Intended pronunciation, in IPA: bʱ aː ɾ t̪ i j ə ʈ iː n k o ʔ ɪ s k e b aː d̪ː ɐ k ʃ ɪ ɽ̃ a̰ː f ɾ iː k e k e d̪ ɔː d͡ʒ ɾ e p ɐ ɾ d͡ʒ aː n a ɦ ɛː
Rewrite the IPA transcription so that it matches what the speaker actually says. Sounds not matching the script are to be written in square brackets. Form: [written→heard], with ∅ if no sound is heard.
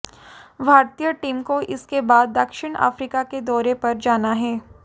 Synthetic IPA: bʱ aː ɾ t̪ i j ə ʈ iː [n→m] k o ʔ ɪ s k e b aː d̪ː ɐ k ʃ ɪ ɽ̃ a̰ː f ɾ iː k [e→a] k e d̪ ɔː [d͡ʒ→∅] ɾ e p ɐ ɾ d͡ʒ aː n a ɦ ɛː